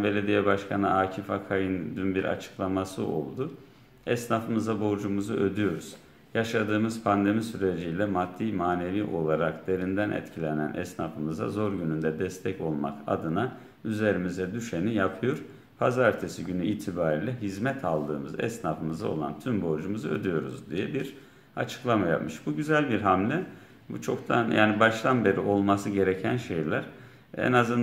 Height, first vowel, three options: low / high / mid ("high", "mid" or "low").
mid